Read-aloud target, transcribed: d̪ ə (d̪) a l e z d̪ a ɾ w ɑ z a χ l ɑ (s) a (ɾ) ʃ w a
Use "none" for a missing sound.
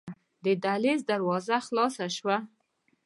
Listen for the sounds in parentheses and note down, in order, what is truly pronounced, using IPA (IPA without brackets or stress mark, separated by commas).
d̪, s, none